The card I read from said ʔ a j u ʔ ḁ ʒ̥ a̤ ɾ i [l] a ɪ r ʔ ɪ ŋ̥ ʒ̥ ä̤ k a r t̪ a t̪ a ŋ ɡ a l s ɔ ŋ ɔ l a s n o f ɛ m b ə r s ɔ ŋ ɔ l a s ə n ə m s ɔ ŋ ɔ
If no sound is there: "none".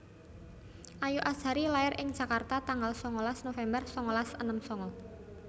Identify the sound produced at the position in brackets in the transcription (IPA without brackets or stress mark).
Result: l